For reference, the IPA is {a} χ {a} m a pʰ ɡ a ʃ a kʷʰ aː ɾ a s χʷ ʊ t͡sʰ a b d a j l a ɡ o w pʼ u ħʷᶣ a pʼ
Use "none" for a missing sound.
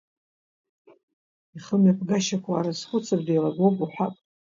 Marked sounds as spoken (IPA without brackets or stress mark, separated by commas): i, ə